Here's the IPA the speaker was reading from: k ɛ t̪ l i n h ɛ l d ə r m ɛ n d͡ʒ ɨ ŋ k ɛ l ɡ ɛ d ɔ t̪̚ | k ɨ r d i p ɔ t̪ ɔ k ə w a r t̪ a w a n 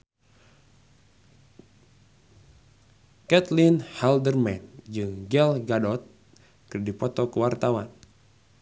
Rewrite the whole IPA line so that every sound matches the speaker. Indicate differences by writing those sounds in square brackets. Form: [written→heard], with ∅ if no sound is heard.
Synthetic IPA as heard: k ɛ t̪ l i n h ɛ l d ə r m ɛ n d͡ʒ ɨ ŋ [k→ɡ] ɛ l ɡ [ɛ→a] d ɔ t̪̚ | k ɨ r d i p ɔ t̪ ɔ k ə w a r t̪ a w a n